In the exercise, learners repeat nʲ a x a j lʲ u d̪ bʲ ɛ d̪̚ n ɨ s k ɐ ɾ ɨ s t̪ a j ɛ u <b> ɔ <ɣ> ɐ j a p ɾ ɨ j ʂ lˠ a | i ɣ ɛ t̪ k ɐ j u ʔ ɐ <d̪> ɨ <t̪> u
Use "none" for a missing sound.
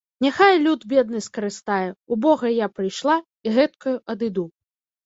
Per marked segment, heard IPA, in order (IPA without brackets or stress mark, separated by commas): b, ɣ, d̪, d̪